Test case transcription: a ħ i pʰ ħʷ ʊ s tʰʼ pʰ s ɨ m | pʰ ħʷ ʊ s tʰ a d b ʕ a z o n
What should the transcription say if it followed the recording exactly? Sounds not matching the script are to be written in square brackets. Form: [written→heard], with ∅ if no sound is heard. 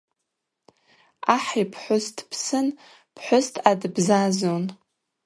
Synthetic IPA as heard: a ħ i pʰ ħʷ ʊ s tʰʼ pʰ s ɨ [m→n] | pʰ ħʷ ʊ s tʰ a d b [ʕ→z] a z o n